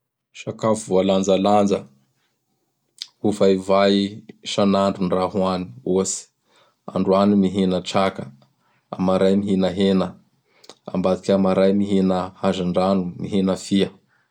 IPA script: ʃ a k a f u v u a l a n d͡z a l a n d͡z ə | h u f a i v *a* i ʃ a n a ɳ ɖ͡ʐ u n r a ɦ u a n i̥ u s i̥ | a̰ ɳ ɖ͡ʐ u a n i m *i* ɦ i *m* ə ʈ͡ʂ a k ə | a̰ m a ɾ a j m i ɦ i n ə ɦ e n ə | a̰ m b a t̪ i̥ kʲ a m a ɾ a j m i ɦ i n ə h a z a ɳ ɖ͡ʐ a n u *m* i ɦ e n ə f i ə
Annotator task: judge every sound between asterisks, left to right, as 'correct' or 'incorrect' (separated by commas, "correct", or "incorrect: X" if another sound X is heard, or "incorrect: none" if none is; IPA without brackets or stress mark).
correct, correct, incorrect: n, correct